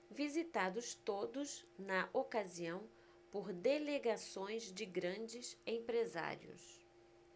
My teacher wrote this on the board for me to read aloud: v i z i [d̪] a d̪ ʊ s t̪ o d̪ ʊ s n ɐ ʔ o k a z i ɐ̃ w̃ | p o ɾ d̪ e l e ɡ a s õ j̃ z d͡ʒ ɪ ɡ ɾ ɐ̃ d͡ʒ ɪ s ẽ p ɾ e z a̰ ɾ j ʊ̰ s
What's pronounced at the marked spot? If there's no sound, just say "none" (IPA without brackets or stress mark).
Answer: t̪